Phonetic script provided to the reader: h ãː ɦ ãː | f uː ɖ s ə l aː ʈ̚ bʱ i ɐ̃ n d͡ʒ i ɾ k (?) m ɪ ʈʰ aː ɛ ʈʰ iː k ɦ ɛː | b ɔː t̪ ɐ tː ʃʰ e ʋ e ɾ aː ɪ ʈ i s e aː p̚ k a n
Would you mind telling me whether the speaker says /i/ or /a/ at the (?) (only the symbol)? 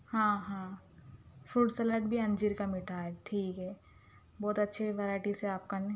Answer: a